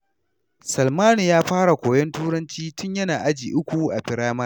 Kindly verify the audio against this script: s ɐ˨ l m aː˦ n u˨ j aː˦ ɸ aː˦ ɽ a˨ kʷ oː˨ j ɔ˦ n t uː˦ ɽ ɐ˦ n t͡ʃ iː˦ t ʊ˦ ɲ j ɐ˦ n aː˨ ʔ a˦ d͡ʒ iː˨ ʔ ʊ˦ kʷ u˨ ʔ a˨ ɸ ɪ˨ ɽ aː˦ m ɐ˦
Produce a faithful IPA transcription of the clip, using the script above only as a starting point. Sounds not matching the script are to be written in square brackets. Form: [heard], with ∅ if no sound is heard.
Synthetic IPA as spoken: s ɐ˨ l m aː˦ n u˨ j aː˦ ɸ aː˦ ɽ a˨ kʷ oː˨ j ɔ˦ n t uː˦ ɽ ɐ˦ n t͡ʃ iː˦ t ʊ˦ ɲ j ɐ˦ n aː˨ ʔ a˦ d͡ʒ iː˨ ʔ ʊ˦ kʷ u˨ ʔ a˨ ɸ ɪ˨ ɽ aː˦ m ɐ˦

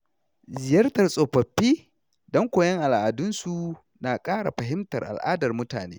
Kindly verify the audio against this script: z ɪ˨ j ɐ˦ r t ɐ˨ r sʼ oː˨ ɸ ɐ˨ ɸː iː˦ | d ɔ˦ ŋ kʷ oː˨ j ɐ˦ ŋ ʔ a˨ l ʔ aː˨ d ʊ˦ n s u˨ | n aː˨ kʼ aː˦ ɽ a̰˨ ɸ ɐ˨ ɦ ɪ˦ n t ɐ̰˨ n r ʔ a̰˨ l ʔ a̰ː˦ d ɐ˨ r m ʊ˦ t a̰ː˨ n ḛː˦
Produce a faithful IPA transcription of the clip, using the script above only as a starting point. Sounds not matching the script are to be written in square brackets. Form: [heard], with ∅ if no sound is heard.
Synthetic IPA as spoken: z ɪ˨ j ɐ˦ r t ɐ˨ r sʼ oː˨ ɸ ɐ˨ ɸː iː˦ | d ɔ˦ ŋ kʷ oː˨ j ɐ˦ ŋ ʔ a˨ l ʔ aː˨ d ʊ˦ n s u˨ | n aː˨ kʼ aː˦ ɽ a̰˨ ɸ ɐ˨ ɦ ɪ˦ [m] t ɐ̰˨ [∅] r ʔ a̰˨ l ʔ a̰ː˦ d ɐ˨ r m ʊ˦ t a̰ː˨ n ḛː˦

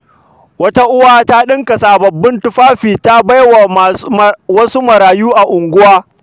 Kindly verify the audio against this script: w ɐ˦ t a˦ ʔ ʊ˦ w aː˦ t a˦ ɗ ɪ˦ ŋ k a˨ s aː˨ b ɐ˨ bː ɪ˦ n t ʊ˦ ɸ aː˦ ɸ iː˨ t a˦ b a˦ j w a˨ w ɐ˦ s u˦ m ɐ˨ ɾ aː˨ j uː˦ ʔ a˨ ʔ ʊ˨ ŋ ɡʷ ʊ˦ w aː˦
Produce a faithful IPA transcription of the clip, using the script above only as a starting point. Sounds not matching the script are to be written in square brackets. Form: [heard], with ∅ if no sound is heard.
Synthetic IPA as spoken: w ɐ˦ t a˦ ʔ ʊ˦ w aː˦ t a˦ ɗ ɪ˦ ŋ k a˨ s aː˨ b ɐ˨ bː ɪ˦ n t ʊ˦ ɸ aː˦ ɸ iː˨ t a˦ b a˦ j w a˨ w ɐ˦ s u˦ m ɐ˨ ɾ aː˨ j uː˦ ʔ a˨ ʔ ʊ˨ ŋ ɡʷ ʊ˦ w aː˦

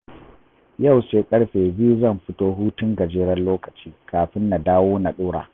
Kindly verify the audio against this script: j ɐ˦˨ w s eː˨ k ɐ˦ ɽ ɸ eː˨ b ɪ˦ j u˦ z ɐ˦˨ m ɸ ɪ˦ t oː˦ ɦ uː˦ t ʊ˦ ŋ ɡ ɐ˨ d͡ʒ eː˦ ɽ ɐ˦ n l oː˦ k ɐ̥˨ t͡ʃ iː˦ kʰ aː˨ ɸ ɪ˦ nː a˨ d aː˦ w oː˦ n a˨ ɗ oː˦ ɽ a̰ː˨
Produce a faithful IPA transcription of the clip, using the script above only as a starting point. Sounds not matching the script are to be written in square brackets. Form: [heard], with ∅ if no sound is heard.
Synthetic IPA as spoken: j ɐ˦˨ w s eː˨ [kʼ] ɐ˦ ɽ ɸ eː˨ b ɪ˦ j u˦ z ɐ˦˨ m ɸ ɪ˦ t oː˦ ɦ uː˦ t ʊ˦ ŋ ɡ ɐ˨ d͡ʒ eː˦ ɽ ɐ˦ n l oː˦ k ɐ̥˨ t͡ʃ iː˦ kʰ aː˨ ɸ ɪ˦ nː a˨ d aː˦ w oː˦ n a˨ ɗ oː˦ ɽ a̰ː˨

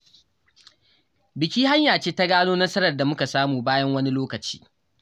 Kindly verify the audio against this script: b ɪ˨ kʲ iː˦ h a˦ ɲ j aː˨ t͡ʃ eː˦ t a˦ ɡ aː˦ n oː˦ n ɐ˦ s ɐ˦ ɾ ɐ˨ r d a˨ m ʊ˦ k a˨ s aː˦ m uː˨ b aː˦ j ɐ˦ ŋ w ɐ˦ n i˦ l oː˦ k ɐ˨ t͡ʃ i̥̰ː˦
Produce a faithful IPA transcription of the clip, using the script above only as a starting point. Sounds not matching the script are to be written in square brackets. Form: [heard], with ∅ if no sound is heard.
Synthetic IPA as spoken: b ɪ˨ kʲ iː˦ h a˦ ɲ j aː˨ t͡ʃ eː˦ t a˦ ɡ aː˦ n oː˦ n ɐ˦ s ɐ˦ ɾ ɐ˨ r d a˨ m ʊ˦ k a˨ s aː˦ m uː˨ b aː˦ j ɐ˦ ŋ w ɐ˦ n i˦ l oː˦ k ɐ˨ t͡ʃ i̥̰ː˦

